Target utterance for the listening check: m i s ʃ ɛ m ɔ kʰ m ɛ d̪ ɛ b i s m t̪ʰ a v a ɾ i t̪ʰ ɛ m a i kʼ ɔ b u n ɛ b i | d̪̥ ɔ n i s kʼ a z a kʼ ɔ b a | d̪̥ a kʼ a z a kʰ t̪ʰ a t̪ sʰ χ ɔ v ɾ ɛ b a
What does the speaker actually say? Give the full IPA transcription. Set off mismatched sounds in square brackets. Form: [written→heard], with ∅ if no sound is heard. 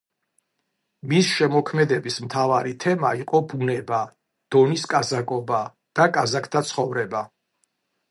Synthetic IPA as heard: m i s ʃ ɛ m ɔ kʰ m ɛ d̪ ɛ b i s m t̪ʰ a v a ɾ i t̪ʰ ɛ m a i [kʼ→qʼ] ɔ b u n ɛ b [i→a] | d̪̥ ɔ n i s kʼ a z a kʼ ɔ b a | d̪̥ a kʼ a z a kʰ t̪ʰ a t̪ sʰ χ ɔ v ɾ ɛ b a